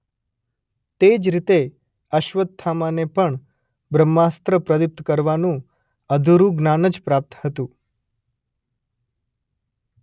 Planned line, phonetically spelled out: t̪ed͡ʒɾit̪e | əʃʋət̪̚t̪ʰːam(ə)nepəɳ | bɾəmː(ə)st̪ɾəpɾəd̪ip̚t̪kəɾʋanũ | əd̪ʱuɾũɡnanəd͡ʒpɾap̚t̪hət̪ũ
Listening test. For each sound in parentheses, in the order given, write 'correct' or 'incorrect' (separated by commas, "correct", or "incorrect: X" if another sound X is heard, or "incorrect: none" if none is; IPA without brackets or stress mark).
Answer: incorrect: a, incorrect: a